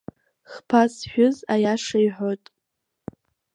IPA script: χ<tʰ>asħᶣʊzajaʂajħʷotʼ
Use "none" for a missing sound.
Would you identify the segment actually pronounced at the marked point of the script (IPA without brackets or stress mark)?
pʰ